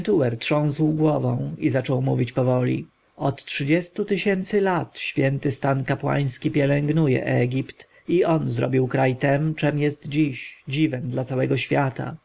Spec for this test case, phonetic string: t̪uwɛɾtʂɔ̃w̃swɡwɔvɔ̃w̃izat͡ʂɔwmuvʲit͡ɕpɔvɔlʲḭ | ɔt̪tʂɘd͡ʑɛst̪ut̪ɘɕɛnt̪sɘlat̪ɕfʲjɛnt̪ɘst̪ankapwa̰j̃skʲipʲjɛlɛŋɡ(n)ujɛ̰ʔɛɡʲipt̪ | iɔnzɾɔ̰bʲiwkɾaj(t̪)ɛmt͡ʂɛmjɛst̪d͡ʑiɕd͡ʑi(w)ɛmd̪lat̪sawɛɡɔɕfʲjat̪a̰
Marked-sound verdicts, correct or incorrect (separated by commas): correct, correct, incorrect